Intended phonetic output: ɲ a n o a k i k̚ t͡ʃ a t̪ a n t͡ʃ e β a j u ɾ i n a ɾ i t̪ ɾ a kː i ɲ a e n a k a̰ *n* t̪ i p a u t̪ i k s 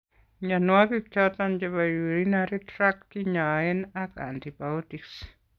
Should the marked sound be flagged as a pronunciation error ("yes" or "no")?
no